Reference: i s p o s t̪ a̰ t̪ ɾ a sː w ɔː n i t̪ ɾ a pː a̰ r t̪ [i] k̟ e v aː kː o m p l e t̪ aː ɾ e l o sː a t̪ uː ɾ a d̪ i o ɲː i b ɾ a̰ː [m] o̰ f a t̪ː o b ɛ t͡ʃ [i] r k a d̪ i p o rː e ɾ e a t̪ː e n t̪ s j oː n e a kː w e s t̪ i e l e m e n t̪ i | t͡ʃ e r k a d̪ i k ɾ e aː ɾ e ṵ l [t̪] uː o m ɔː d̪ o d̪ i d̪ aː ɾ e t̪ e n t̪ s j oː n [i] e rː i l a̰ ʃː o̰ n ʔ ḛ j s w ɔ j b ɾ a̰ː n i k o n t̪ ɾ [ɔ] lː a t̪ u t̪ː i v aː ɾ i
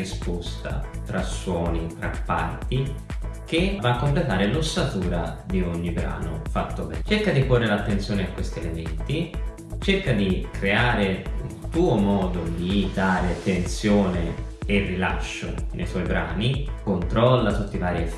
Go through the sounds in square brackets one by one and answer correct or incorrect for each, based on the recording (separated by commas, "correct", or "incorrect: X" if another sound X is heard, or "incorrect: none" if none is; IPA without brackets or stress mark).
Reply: correct, incorrect: n, incorrect: e, correct, incorrect: e, correct